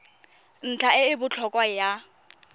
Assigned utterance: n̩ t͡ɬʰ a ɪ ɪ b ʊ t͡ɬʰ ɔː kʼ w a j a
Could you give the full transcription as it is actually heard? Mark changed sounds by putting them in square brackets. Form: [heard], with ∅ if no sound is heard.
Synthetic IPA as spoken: n̩ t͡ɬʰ a ɪ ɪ b ʊ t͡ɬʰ [ɔ] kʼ w a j a